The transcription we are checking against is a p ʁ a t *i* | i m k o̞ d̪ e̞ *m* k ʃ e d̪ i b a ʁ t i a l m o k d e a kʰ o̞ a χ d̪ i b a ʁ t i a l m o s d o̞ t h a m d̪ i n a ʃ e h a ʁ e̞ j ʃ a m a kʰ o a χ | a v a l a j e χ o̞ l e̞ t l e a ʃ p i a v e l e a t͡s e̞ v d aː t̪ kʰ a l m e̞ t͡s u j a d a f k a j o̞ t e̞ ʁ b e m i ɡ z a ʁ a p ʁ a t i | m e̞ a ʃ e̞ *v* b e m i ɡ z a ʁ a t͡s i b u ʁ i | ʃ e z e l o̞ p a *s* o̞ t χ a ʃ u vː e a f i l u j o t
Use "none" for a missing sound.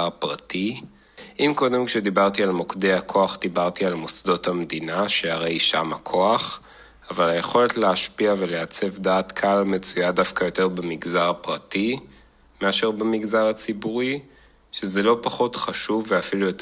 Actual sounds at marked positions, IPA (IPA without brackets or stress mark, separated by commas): i, m, ʁ, χ